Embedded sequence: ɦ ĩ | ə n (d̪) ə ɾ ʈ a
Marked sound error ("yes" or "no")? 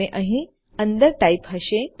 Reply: no